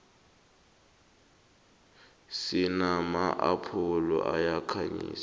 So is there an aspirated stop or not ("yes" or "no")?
yes